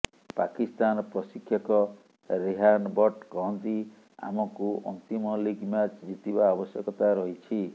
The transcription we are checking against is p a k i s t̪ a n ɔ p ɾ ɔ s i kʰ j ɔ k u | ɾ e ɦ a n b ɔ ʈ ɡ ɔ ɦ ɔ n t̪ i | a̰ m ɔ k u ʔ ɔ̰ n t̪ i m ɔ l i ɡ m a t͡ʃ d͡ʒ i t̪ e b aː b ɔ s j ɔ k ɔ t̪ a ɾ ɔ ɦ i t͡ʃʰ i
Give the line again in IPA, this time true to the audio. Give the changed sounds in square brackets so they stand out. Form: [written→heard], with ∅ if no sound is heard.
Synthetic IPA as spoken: p a k i s t̪ a n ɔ p ɾ ɔ s i kʰ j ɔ k [u→ɔ] | ɾ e ɦ a n b ɔ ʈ [ɡ→k] ɔ ɦ ɔ n t̪ i | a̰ m ɔ k u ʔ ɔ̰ n t̪ i m ɔ l i ɡ m a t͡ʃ d͡ʒ i t̪ [e→i] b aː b ɔ s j ɔ k ɔ t̪ a ɾ ɔ ɦ i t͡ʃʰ i